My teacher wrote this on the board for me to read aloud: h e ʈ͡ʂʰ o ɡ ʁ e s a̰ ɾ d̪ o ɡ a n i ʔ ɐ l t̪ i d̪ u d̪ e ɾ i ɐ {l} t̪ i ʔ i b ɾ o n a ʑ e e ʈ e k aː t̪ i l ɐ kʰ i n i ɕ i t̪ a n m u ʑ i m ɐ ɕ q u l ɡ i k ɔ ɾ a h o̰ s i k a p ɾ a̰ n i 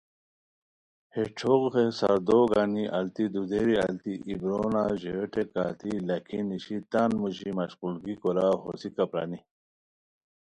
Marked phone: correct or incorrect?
correct